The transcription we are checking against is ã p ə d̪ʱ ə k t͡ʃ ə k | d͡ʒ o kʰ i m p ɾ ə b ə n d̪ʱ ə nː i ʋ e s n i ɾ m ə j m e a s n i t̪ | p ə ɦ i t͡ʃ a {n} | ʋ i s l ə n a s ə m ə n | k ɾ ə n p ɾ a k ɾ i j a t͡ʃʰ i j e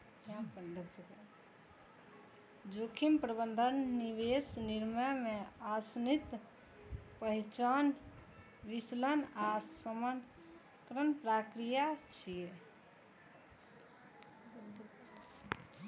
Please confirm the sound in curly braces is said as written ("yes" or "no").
yes